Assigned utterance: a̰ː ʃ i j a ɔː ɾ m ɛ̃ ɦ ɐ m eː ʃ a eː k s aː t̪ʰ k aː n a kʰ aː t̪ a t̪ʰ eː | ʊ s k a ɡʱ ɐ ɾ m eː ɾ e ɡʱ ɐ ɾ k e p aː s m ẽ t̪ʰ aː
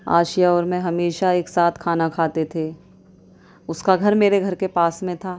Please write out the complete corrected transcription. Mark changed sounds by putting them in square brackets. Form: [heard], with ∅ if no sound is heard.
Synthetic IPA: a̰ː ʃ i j a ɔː ɾ m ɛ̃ ɦ ɐ m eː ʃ a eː k s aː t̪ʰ [kʰ] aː n a kʰ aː t̪ [e] t̪ʰ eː | ʊ s k a ɡʱ ɐ ɾ m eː ɾ e ɡʱ ɐ ɾ k e p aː s m ẽ t̪ʰ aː